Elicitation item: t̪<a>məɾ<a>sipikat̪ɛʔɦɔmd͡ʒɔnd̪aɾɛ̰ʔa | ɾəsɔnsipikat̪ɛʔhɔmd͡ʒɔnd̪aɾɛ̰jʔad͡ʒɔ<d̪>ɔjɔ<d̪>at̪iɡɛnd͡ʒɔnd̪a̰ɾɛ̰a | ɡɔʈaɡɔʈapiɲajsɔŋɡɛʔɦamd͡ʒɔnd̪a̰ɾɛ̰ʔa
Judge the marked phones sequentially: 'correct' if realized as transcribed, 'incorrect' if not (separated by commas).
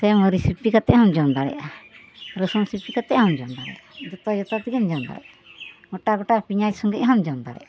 incorrect, incorrect, incorrect, incorrect